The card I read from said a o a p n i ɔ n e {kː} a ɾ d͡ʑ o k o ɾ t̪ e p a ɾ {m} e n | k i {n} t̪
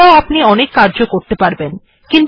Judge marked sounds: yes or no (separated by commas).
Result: yes, no, yes